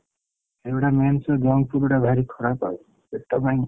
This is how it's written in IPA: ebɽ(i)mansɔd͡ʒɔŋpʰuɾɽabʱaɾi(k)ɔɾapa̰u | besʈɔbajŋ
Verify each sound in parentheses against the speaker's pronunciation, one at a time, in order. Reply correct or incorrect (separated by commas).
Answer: incorrect, incorrect